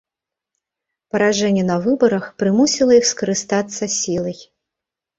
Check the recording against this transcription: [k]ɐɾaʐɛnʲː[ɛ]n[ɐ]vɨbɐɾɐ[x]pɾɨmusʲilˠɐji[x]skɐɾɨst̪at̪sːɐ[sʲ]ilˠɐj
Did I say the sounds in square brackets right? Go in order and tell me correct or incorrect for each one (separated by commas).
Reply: incorrect, correct, correct, correct, correct, correct